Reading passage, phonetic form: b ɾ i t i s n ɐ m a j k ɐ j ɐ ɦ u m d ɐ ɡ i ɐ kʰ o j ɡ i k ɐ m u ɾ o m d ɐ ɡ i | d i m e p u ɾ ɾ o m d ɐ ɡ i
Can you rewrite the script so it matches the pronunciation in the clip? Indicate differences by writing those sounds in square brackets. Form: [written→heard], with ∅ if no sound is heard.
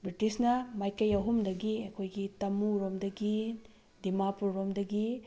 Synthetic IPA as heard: b ɾ i t i s n ɐ m a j k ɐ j ɐ ɦ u m d ɐ ɡ i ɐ kʰ o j ɡ i [k→t] ɐ m u ɾ o m d ɐ ɡ i | d i m [e→a] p u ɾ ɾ o m d ɐ ɡ i